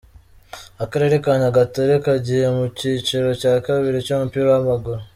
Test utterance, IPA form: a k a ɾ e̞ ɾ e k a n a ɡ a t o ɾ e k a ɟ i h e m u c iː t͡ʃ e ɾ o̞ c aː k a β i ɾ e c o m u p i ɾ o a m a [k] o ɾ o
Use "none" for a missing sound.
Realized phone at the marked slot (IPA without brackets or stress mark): ɡ